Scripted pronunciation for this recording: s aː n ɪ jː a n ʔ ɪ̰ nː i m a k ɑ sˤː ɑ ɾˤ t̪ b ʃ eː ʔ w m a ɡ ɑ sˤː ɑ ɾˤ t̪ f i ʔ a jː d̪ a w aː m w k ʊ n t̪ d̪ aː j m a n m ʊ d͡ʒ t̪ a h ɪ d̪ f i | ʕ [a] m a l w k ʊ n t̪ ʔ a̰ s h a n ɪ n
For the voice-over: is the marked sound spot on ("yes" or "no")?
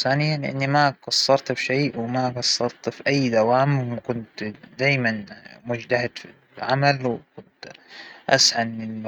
yes